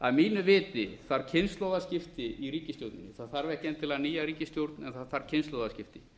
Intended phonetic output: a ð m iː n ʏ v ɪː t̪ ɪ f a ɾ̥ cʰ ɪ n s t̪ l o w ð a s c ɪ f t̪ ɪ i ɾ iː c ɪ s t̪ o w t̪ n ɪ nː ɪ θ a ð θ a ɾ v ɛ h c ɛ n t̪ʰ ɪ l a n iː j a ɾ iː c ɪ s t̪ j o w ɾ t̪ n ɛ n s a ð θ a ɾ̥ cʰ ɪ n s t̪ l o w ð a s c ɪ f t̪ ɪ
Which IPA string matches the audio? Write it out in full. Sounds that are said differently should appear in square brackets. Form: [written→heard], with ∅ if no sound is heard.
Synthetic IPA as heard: a ð m iː n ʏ v ɪː t̪ ɪ [f→θ] a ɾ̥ cʰ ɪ n s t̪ l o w ð a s c ɪ f t̪ ɪ i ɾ iː c ɪ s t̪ o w t̪ n ɪ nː ɪ θ a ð θ a ɾ v ɛ h c ɛ n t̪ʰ ɪ l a n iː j a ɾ iː c ɪ s t̪ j o w ɾ t̪ n ɛ n [s→θ] a ð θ a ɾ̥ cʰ ɪ n s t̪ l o w ð a s c ɪ f t̪ ɪ